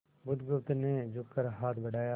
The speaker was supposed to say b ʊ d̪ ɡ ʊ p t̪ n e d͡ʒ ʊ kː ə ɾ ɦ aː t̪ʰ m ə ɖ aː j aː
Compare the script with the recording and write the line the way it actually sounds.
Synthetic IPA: b ʊ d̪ ɡ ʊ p t̪ n e d͡ʒ ʊ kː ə ɾ ɦ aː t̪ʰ b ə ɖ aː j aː